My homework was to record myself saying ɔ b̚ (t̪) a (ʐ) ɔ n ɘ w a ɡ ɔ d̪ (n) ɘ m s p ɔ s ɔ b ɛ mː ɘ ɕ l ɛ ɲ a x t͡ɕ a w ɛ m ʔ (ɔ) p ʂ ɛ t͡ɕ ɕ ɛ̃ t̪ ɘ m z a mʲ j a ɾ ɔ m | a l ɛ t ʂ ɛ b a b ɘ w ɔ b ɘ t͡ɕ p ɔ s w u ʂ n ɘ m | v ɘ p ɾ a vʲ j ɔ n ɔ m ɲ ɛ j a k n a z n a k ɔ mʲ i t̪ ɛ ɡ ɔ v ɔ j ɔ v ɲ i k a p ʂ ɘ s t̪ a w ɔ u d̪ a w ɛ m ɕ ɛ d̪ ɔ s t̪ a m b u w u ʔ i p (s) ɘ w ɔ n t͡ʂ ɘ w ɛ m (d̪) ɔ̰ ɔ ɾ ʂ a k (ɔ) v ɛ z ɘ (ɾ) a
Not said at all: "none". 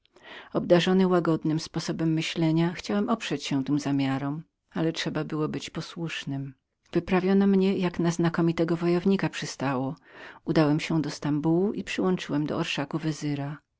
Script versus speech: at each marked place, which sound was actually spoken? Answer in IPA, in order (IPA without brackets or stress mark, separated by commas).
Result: d̪, ʐ, n, ɔ, ʂ, d̪, u, ɾ